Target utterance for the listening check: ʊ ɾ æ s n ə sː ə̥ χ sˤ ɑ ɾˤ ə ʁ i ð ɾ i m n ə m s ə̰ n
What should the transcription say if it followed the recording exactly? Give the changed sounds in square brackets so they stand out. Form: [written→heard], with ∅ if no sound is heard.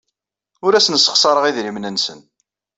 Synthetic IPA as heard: ʊ ɾ æ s n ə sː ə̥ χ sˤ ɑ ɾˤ ə ʁ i ð ɾ i m n ə [m→n] s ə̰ n